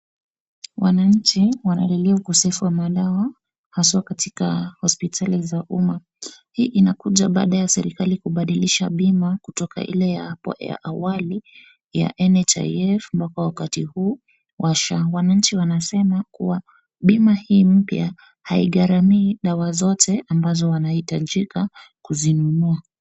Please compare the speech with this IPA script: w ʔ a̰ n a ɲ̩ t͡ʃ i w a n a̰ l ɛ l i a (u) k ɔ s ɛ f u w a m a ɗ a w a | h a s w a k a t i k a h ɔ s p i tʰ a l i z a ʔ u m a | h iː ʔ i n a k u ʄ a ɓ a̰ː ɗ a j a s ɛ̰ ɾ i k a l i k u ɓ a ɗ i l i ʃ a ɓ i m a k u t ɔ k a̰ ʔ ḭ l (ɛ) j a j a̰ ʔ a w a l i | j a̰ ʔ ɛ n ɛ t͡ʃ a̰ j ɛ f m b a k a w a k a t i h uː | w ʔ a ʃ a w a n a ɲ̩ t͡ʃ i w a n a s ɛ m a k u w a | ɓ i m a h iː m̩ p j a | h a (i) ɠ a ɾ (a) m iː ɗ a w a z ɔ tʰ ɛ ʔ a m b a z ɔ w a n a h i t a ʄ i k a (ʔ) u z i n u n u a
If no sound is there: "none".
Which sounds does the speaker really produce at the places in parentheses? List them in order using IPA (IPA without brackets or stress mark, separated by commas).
u, ɛ, i, a, k